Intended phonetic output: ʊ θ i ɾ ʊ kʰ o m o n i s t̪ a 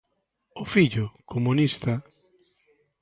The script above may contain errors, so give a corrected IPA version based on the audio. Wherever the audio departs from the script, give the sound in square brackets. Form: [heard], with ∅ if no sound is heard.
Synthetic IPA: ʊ [f] i [ʎ] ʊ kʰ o m [u] n i s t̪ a